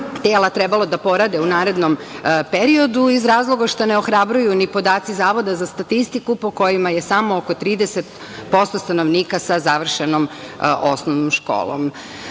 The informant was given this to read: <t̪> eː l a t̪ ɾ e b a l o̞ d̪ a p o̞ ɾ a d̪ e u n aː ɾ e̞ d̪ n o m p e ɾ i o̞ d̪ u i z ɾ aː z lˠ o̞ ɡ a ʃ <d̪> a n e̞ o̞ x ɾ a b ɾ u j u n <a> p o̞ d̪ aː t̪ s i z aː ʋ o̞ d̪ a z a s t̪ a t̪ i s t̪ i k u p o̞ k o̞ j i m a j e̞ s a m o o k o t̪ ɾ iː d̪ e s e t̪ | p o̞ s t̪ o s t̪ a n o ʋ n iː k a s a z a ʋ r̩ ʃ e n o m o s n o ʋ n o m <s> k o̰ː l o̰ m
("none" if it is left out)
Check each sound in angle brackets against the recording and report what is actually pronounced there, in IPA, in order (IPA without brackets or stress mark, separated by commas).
t̪, t̪, i, ʃ